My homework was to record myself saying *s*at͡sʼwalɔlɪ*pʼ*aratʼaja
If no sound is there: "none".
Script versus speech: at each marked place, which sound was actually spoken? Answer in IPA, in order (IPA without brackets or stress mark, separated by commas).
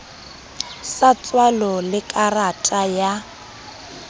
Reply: s, kʼ